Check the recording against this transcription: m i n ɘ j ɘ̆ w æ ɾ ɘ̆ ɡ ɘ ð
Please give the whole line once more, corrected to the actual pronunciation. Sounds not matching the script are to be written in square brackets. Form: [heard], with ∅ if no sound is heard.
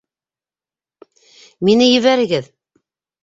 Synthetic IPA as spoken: m i n ɘ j ɘ̆ [β] æ ɾ ɘ̆ ɡ ɘ ð